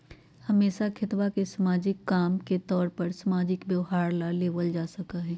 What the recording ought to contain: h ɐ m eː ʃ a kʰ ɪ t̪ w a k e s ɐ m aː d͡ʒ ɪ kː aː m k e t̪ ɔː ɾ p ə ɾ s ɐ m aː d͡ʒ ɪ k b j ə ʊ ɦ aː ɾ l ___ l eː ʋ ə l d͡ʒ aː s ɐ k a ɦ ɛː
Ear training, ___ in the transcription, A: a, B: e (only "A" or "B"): A